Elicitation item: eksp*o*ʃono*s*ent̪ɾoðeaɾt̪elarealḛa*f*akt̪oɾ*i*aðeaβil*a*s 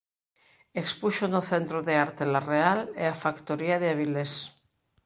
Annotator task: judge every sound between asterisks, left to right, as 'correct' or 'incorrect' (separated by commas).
incorrect, incorrect, correct, correct, incorrect